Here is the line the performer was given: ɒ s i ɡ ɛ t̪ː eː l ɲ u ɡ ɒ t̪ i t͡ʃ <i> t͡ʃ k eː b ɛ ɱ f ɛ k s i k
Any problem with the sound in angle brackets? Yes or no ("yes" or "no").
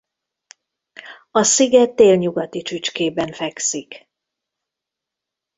yes